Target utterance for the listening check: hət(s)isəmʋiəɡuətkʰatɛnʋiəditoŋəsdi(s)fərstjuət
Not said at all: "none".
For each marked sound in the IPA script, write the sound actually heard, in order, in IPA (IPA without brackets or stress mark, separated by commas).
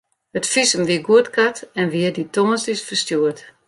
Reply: f, s